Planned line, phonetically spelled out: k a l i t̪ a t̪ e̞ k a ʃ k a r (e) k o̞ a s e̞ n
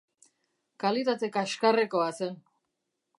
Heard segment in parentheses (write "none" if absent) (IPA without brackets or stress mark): e